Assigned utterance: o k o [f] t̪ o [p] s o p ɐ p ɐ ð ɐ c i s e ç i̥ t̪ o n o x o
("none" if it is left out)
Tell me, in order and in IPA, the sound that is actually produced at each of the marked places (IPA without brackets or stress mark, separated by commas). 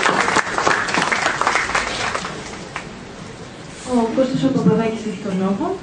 s, none